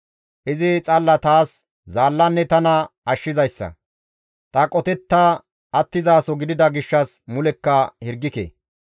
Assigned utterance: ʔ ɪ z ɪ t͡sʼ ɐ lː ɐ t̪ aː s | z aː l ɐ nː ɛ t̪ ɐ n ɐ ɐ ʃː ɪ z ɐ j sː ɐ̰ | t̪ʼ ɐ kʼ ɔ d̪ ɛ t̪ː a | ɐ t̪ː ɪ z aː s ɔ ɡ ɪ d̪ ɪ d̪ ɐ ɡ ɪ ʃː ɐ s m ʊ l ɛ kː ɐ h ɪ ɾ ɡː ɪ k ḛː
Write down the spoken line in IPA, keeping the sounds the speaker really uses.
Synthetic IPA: ʔ ɪ z ɪ t͡sʼ ɐ lː ɐ t̪ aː s | z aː lː ɐ nː ɛ t̪ ɐ n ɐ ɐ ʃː ɪ z ɐ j sː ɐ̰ | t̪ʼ ɐ kʼ ɔ t̪ ɛ t̪ː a | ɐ t̪ː ɪ z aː s ɔ ɡ ɪ d̪ ɪ d̪ ɐ ɡ ɪ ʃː ɐ s m ʊ l ɛ kː ɐ h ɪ ɾ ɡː ɪ k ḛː